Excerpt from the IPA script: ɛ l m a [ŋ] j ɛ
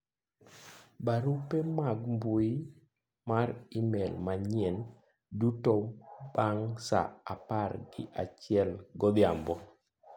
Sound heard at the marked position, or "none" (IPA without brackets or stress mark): ɲ